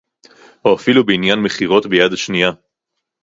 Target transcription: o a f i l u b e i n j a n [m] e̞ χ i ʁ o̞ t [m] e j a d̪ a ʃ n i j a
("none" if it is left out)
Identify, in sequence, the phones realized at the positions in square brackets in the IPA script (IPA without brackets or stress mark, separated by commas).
m, b